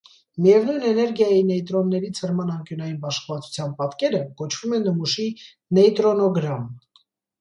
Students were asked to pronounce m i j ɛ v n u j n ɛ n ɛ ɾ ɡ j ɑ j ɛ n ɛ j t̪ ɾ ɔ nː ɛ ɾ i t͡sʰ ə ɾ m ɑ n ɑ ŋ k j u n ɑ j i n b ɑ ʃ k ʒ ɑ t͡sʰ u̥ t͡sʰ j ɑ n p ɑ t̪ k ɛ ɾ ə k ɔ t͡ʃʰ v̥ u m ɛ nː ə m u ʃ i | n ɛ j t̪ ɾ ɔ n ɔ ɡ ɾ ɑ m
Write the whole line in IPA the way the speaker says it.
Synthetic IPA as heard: m i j ɛ v n u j n ɛ n ɛ ɾ ɡ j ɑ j i n ɛ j t̪ ɾ ɔ nː ɛ ɾ i t͡sʰ ə ɾ m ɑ n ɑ ŋ k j u n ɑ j i n b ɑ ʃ k v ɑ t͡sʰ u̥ t͡sʰ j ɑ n p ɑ t̪ k ɛ ɾ ə k ɔ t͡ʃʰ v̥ u m ɛ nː ə m u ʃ i | n ɛ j t̪ ɾ ɔ n ɔ ɡ ɾ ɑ m